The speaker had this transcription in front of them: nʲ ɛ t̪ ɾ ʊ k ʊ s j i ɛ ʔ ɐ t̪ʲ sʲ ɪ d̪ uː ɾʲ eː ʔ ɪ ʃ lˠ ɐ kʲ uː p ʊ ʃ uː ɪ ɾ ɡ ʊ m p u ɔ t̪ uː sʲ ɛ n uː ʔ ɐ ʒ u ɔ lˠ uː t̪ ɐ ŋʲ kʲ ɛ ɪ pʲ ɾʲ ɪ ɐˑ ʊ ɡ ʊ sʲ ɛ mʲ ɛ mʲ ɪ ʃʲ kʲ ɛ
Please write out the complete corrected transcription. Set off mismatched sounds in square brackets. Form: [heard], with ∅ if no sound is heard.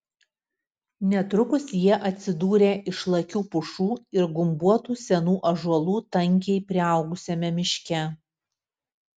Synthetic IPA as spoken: nʲ ɛ t̪ ɾ ʊ k ʊ s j i ɛ ʔ ɐ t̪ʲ sʲ ɪ d̪ uː ɾʲ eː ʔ ɪ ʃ lˠ ɐ kʲ uː p ʊ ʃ uː ɪ ɾ ɡ ʊ m [b] u ɔ t̪ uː sʲ ɛ n uː ʔ ɐ ʒ u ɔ lˠ uː t̪ ɐ ŋʲ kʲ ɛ ɪ pʲ ɾʲ ɪ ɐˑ ʊ ɡ ʊ sʲ ɛ mʲ ɛ mʲ ɪ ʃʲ kʲ ɛ